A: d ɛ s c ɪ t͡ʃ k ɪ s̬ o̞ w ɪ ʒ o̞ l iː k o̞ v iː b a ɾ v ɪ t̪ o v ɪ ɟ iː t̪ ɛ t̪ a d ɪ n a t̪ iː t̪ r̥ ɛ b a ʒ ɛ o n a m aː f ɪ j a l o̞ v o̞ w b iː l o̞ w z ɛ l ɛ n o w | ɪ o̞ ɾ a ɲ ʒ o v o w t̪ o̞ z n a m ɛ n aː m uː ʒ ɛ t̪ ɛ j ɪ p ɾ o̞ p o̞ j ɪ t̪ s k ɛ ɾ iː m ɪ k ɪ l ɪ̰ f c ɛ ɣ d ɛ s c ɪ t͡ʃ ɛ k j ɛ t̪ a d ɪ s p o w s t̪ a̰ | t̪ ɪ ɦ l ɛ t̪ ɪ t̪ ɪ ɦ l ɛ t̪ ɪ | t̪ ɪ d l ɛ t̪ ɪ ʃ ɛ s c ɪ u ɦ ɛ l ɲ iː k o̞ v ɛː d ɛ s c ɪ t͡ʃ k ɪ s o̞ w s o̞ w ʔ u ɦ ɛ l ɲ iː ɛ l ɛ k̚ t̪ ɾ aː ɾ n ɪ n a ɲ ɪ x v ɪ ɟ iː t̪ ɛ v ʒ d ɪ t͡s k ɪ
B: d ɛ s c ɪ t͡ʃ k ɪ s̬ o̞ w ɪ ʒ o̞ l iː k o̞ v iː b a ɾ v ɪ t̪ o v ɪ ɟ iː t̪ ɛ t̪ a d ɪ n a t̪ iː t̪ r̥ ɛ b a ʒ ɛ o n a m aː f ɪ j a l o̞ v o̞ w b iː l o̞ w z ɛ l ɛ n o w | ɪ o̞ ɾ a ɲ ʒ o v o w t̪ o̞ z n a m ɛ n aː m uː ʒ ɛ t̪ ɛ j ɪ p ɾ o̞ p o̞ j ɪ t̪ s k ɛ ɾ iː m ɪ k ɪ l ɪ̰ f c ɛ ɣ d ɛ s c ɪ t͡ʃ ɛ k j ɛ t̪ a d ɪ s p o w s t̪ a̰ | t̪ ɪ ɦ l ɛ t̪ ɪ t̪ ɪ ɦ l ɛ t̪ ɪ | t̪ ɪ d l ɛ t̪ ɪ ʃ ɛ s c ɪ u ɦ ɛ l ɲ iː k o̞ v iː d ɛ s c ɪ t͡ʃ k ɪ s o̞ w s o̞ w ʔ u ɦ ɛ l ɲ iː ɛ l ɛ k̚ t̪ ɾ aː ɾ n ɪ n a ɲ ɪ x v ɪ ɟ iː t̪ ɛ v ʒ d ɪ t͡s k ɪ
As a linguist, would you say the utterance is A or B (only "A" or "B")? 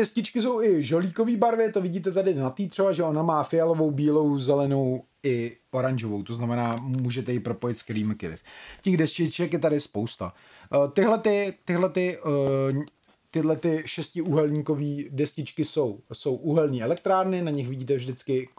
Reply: B